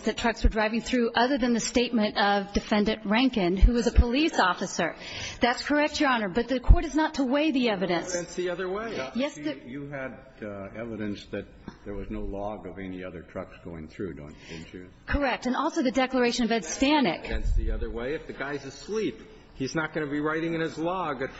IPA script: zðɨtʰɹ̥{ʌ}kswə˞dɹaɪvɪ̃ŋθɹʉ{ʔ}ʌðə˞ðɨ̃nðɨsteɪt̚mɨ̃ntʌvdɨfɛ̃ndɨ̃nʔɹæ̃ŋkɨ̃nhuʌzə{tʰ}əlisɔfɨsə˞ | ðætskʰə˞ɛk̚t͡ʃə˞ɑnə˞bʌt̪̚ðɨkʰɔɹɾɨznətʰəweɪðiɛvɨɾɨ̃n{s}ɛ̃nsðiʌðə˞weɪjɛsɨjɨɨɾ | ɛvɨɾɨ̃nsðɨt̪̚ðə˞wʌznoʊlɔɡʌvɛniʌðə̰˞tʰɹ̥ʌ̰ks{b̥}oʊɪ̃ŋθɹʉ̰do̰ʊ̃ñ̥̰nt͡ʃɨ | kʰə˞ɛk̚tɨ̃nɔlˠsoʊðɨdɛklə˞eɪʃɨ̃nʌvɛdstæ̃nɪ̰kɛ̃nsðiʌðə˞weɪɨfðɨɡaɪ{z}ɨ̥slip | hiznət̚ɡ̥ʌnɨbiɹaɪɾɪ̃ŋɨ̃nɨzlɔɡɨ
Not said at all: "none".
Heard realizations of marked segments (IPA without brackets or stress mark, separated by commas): ʌ, ʔ, pʰ, s, ɡ̥, z